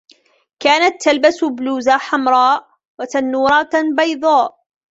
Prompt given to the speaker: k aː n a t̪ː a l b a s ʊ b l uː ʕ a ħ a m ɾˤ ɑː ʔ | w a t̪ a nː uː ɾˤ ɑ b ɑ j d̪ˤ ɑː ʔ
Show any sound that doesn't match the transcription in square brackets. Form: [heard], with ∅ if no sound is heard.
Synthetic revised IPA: k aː n a t̪ː a l b a s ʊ b l uː [z] a ħ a m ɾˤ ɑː ʔ | w a t̪ a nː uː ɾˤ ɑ b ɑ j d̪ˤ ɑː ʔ